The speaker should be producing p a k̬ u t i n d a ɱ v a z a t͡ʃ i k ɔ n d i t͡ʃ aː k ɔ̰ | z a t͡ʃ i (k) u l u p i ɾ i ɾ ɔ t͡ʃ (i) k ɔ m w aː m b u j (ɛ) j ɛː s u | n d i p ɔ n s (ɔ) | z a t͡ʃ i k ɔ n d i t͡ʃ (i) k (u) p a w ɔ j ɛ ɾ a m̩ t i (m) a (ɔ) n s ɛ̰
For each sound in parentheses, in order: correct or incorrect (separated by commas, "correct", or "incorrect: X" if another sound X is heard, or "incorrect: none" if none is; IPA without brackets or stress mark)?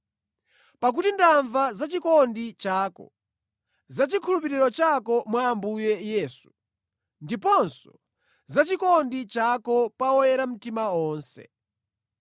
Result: incorrect: kʰ, incorrect: a, correct, correct, incorrect: a, incorrect: ɔ, correct, incorrect: ɔː